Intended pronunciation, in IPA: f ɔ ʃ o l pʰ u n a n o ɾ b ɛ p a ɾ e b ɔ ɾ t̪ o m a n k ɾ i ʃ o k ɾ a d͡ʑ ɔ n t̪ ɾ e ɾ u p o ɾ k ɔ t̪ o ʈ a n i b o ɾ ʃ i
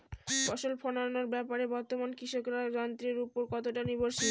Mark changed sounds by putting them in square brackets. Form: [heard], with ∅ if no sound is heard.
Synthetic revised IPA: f ɔ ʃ o l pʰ [ɔ] n a n o ɾ b ɛ p a ɾ e b ɔ ɾ t̪ o m a n k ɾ i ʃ o k ɾ a d͡ʑ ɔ n t̪ ɾ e ɾ u p o ɾ k ɔ t̪ o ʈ a n i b o ɾ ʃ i